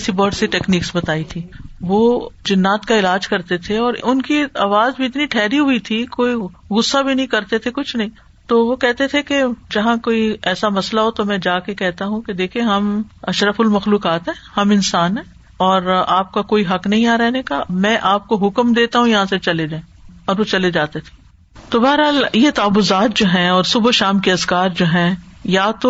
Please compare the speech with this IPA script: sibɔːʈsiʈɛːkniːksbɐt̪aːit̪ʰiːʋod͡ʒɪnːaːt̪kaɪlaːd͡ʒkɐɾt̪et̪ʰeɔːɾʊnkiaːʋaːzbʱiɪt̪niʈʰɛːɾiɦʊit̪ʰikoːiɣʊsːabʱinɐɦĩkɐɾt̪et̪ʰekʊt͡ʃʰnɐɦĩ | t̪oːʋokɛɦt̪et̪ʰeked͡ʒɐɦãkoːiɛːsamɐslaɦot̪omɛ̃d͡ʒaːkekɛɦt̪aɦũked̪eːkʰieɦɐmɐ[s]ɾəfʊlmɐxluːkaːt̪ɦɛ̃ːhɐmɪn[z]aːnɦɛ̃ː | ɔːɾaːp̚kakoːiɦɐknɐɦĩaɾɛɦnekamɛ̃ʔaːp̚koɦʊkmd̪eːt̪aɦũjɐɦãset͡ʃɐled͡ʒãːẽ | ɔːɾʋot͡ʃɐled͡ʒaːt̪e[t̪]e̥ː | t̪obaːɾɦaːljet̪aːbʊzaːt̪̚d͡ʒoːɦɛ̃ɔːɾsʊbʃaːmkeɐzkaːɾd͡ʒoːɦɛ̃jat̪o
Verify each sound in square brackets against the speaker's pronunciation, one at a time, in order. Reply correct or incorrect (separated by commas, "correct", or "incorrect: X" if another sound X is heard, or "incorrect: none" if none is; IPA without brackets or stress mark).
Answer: incorrect: ʃ, incorrect: s, incorrect: t̪ʰ